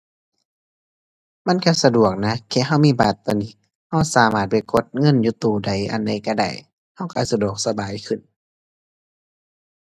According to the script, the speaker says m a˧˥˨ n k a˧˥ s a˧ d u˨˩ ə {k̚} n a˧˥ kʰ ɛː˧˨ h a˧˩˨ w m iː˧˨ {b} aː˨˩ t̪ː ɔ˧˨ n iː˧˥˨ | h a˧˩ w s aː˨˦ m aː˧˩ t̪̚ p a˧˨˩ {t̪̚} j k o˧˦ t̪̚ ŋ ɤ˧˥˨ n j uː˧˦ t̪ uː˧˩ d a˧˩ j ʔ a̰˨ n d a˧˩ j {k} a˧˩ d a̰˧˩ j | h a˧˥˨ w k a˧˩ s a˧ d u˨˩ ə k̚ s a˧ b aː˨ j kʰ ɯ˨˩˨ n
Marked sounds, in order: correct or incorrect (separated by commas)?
correct, correct, incorrect, correct